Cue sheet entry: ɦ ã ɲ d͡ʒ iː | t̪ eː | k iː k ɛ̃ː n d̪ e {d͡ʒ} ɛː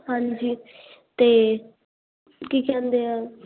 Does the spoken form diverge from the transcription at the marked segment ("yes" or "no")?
yes